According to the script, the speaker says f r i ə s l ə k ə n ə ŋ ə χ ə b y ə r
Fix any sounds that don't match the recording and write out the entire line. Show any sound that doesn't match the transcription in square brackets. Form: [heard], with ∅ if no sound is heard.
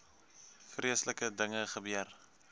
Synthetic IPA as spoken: f r i ə s l ə k ə [d] ə ŋ ə χ ə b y ə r

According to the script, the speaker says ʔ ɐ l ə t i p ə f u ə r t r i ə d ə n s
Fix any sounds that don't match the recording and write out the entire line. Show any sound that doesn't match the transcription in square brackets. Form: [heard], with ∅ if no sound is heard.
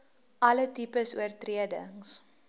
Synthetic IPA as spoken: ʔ ɐ l ə t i p ə [s] u ə r t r i ə d ə [ŋ] s

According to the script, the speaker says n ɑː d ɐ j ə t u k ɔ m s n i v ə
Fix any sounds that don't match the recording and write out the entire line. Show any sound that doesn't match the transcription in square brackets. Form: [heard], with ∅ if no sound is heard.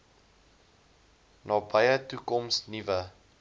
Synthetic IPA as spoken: n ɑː [b] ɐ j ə t u k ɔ m s n i v ə

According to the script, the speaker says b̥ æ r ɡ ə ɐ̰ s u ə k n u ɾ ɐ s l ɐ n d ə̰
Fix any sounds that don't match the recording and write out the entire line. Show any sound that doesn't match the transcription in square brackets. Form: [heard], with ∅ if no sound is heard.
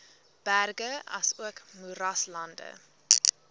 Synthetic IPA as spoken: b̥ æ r ɡ ə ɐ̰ s u ə k [m] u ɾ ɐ s l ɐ n d ə̰

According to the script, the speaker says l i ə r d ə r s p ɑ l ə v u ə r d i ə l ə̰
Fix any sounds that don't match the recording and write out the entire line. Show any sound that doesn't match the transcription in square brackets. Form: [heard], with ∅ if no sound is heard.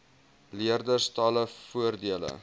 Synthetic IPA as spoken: l i ə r d ə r s [t] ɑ l ə [f] u ə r d i ə l ə̰

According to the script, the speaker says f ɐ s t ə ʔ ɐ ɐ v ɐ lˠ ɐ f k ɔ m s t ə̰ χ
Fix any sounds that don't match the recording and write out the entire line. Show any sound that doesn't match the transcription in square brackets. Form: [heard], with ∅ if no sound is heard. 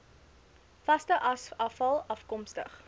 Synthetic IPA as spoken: f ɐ s t ə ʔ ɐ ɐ [f] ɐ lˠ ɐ f k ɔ m s t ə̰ χ

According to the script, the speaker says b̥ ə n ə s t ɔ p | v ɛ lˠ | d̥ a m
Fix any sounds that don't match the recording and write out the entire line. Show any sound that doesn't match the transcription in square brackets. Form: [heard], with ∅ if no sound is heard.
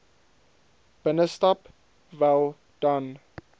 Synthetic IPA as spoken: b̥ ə n ə s t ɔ p | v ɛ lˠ | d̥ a [n]

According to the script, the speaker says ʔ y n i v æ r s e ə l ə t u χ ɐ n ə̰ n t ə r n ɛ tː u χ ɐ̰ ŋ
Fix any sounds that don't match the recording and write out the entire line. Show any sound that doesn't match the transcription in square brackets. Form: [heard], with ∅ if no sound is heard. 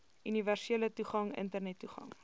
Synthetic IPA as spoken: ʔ y n i v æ r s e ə l ə t u χ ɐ [ŋ] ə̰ n t ə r n ɛ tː u χ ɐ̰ ŋ

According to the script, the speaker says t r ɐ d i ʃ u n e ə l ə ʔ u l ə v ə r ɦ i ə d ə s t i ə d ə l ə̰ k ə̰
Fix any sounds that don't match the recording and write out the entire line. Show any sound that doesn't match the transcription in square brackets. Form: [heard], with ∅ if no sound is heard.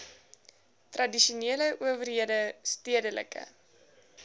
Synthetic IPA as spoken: t r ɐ d i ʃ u n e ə l ə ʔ u [∅] ə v ə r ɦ i ə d ə s t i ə d ə l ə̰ k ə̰

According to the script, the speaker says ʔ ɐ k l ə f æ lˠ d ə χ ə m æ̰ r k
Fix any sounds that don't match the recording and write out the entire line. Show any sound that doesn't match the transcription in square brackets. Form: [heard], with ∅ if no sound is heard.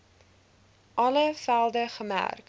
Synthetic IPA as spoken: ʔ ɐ [∅] l ə f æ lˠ d ə χ ə m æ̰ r k

